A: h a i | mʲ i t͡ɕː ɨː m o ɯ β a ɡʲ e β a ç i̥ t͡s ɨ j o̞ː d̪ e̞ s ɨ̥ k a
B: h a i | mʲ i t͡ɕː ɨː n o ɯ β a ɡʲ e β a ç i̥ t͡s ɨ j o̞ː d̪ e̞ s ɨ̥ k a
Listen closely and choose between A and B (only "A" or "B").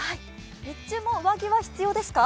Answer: A